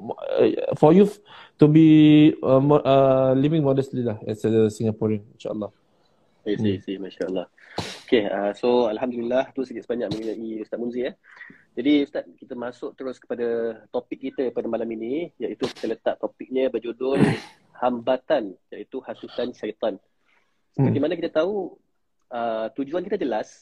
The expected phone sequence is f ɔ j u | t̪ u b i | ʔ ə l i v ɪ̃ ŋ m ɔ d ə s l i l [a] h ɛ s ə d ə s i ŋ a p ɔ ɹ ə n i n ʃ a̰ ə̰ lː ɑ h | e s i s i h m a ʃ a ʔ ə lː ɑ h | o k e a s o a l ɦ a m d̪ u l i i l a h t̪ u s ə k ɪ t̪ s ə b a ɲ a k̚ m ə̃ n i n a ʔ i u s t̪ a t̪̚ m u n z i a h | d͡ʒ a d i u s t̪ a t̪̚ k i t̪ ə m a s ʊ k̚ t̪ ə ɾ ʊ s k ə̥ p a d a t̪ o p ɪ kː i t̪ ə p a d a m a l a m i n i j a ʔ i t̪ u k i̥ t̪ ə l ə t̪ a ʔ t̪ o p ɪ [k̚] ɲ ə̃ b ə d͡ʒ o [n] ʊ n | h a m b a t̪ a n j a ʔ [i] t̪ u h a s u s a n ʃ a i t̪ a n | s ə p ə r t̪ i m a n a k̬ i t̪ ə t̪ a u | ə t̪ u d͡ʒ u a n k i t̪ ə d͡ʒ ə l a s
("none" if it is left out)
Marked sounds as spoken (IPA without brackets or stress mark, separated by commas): a, k̚, d, i